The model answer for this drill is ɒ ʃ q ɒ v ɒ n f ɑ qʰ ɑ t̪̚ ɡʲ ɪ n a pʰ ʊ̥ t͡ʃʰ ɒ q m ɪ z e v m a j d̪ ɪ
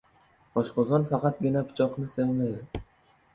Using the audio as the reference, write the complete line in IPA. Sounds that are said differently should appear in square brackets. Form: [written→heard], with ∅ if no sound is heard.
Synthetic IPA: ɒ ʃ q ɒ [v→z] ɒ n f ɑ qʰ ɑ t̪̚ ɡʲ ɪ n a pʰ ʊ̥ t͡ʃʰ ɒ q [m→n] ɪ [z→s] e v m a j d̪ ɪ